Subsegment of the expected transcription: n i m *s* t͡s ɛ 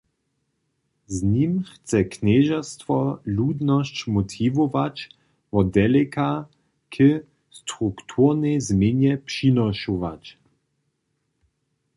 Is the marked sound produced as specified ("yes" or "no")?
no